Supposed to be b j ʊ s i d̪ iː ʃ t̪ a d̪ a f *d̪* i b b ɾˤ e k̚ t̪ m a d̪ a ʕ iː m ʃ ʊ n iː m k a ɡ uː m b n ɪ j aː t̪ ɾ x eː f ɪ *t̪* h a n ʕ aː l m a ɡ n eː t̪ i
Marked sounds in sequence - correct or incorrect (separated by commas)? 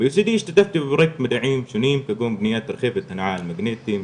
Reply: incorrect, correct